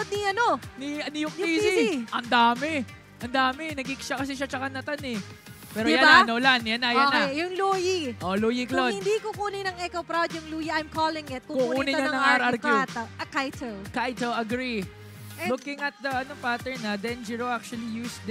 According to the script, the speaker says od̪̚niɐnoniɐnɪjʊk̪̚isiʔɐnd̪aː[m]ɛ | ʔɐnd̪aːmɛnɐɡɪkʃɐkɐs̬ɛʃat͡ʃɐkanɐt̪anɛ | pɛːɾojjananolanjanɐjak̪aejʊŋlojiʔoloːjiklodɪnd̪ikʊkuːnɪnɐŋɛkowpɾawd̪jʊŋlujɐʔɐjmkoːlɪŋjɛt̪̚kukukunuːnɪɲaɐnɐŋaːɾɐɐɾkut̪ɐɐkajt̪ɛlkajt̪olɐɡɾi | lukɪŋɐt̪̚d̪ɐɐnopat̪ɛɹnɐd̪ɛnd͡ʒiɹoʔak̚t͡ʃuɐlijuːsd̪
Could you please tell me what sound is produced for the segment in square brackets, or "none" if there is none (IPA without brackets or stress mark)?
m